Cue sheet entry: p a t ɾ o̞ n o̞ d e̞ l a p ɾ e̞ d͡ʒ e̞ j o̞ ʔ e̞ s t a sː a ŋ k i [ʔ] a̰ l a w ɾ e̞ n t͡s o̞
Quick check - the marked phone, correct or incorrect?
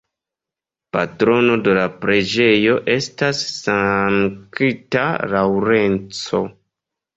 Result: incorrect